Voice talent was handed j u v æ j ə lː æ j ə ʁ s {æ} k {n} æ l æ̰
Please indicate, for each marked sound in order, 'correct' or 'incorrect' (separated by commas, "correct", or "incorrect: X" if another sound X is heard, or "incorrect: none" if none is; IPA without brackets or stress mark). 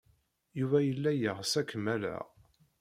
correct, incorrect: m